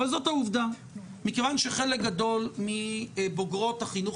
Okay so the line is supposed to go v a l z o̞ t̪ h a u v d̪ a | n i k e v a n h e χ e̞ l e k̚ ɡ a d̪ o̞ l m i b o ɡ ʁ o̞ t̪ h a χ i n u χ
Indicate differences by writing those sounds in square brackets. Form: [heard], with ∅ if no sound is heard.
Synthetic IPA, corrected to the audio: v a l z o̞ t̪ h a u v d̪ a | [m] i k e v a n [ʃ] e χ e̞ l e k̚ ɡ a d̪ o̞ l m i b o ɡ ʁ o̞ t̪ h a χ i n u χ